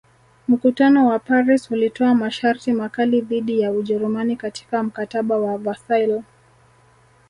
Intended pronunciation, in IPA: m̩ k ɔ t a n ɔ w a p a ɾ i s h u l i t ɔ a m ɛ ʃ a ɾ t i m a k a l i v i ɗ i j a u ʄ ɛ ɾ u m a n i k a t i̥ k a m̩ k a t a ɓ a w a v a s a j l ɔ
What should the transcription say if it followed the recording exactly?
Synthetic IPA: m̩ k u t a n ɔ w a p a ɾ i s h u l i t ɔ a m a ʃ a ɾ t i m a k a l i ð i ɗ i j a u ʄ ɛ ɾ u m a n i k a t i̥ k a m̩ k a t a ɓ a w a v a s a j l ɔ